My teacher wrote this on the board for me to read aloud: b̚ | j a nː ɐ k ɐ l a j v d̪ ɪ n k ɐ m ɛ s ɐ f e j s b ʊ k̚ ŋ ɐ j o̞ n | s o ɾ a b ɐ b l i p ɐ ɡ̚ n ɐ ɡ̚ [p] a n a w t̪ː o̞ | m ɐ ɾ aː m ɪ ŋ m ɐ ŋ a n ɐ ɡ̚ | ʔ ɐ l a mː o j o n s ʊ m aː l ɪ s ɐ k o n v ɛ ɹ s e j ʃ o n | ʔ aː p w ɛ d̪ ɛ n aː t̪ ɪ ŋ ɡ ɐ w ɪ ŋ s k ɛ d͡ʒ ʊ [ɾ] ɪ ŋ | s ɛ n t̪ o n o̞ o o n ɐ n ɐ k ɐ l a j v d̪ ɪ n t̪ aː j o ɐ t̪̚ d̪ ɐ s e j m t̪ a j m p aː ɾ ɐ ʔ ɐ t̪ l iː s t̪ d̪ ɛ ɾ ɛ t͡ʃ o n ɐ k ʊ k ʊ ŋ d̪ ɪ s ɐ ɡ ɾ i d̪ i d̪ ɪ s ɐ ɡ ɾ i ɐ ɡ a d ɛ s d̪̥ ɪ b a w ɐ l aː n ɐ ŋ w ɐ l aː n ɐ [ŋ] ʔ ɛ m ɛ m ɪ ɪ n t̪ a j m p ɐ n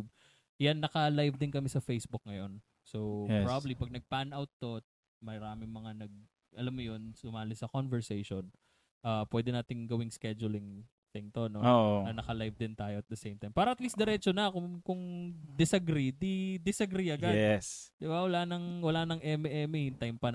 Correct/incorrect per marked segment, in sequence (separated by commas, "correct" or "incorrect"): correct, incorrect, correct